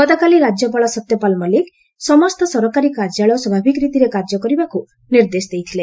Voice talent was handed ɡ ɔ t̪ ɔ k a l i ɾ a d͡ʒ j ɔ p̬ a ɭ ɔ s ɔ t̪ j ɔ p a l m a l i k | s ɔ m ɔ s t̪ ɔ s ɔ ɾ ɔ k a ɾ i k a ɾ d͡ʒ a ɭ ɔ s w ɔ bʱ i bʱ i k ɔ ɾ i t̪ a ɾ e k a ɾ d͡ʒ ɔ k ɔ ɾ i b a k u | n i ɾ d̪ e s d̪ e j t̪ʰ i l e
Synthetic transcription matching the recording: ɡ ɔ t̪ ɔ k a l i ɾ a d͡ʒ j ɔ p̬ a ɭ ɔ s ɔ t̪ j ɔ p a l m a l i k | s ɔ m ɔ s t̪ ɔ s ɔ ɾ ɔ k a ɾ i k a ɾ d͡ʒ a ɭ ɔ s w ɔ bʱ a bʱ i k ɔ ɾ i t̪ i ɾ e k a ɾ d͡ʒ ɔ k ɔ ɾ i b a k u | n i ɾ d̪ e s d̪ e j t̪ʰ i l e

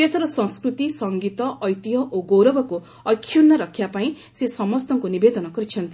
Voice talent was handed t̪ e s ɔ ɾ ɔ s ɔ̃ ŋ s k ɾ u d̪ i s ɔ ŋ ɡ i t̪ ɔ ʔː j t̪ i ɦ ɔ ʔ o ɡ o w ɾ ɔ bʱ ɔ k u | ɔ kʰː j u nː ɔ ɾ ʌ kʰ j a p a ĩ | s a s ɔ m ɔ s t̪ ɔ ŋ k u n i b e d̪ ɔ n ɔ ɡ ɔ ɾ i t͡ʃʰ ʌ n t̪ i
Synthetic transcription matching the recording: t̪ e s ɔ ɾ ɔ s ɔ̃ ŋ s k ɾ u t̪ i s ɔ ŋ ɡ i t̪ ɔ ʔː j t̪ i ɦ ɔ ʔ o ɡ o w ɾ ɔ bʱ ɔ k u | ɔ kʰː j u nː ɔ ɾ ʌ kʰ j a p a ĩ | s e s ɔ m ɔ s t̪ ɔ ŋ k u n i b e d̪ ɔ n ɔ ɡ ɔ ɾ i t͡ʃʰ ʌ n t̪ i

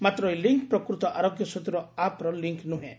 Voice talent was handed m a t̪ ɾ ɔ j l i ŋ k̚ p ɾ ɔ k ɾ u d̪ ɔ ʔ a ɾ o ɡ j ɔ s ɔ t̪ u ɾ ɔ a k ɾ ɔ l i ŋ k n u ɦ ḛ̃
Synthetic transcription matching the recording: m a t̪ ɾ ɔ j l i ŋ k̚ p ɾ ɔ k ɾ u t̪ ɔ ʔ a ɾ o ɡ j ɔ s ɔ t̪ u ɾ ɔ a p ɾ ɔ l i ŋ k n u ɦ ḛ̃

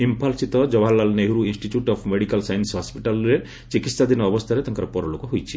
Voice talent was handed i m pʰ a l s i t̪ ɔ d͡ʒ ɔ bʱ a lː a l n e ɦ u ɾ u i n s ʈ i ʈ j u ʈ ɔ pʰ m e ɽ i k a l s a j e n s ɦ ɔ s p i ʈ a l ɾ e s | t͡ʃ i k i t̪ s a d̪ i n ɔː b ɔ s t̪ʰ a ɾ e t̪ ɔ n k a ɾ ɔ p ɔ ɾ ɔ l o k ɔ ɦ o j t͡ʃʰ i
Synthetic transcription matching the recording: i m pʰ a l s i t̪ ɔ d͡ʒ ɔ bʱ a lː a l n e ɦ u ɾ u i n s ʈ i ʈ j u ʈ ɔ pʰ m e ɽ i k a l s a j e n s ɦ ɔ s p i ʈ a l ɾ e | t͡ʃ i k i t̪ s a d̪ i n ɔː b ɔ s t̪ʰ a ɾ e t̪ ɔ ŋ k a ɾ ɔ p ɔ ɾ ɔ l o k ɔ ɦ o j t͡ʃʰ i

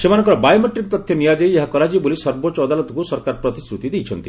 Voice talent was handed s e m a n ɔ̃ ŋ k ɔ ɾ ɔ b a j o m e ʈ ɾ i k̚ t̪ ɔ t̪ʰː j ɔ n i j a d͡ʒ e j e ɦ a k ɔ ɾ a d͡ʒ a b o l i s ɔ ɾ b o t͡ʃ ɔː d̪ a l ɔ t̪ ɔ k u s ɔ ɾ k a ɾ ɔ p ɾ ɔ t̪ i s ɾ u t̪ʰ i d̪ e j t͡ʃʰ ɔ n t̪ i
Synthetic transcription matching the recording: s e m a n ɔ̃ ŋ k ɔ ɾ ɔ b a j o m e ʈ ɾ i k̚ t̪ ɔ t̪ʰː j ɔ n i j a d͡ʒ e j e ɦ a k ɔ ɾ a d͡ʒ i b o l i s ɔ ɾ b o t͡ʃ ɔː d̪ a l ɔ t̪ ɔ k u s ɔ ɾ k a ɾ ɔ p ɾ ɔ t̪ i s ɾ u t̪ i d̪ e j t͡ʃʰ ɔ n t̪ i

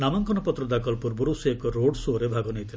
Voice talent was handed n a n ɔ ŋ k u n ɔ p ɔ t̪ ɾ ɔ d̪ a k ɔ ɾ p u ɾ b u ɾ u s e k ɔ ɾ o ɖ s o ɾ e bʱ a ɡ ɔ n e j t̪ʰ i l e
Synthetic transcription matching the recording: n a m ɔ ŋ k ɔ n ɔ p ɔ t̪ ɾ ɔ d̪ a k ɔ l p u ɾ b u ɾ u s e k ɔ ɾ o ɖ s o ɾ e bʱ a ɡ ɔ n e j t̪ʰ i l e

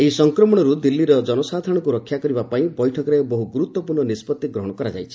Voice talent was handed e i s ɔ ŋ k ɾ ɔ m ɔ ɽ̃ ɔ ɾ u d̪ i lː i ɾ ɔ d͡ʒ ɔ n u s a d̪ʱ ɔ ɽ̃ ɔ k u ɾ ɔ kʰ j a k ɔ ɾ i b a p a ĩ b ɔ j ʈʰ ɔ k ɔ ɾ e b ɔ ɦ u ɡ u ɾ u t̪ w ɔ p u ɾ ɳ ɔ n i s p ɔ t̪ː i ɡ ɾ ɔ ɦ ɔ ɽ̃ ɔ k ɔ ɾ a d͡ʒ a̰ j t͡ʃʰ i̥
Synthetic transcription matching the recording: e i s ɔ ŋ k ɾ ɔ m ɔ ɽ̃ ɔ ɾ u d̪ i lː i ɾ ɔ d͡ʒ ɔ n ɔ s a d̪ʱ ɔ ɽ̃ ɔ k u ɾ ɔ kʰ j a k ɔ ɾ i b a p a ĩ b ɔ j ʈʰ ɔ k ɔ ɾ e b ɔ ɦ u ɡ u ɾ u t̪ w ɔ p u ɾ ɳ ɔ n i s p ɔ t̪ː i ɡ ɾ ɔ ɦ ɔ ɽ̃ ɔ k ɔ ɾ a d͡ʒ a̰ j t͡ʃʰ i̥

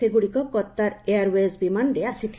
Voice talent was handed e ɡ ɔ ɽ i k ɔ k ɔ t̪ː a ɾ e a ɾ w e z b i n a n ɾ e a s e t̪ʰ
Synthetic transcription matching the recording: e ɡ u ɽ i k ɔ k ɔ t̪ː a ɾ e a ɾ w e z b i m a n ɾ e a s i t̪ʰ

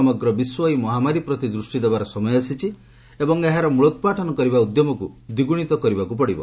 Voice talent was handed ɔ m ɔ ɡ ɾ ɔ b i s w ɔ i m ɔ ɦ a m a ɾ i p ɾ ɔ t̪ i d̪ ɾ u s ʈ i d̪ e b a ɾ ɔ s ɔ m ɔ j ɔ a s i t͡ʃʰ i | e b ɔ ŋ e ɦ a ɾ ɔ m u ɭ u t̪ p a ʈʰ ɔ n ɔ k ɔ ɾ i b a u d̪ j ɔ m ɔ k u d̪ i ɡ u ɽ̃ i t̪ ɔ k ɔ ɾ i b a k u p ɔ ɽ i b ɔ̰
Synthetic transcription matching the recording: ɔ m ɔ ɡ ɾ ɔ b i s w ɔ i m ɔ ɦ a m a ɾ i p ɾ ɔ t̪ i d̪ ɾ u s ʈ i d̪ e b a ɾ ɔ s ɔ m ɔ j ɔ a s i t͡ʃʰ i | e b ɔ ŋ e ɦ a ɾ ɔ m u ɭ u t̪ p a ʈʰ ɔ n ɔ k ɔ ɾ i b a u d̪ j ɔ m ɔ k u d̪ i ɡ u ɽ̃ i t̪ ɔ k ɔ ɾ i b a k u p ɔ ɽ i b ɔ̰

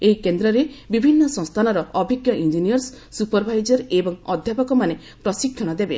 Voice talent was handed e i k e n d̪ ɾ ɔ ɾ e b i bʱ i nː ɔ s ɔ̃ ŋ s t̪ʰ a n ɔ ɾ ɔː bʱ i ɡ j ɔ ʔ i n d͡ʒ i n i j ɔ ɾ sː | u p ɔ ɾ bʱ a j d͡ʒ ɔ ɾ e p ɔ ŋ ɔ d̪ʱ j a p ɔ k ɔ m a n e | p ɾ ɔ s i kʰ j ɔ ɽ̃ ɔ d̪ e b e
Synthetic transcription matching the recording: e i k e n d̪ ɾ ɔ ɾ e b i bʱ i nː ɔ s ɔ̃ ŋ s t̪ʰ a n ɔ ɾ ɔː bʱ i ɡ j ɔ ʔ i n d͡ʒ i n i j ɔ ɾ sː | u p ɔ ɾ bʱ a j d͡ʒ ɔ ɾ e b ɔ ŋ ɔ d̪ʱ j a p ɔ k ɔ m a n e | p ɾ ɔ s i kʰ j ɔ ɽ̃ ɔ d̪ e b e

